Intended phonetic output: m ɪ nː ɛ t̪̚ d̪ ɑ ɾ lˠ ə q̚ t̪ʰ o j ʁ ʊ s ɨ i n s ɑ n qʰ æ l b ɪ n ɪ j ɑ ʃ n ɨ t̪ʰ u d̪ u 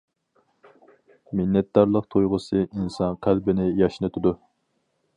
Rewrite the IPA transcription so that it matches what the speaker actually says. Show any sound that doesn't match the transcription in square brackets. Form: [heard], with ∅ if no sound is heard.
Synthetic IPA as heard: m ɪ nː ɛ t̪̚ d̪ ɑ ɾ lˠ ə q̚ t̪ʰ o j ʁ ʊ s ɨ i n s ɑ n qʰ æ l b ɪ n ɪ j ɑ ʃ n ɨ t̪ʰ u d̪ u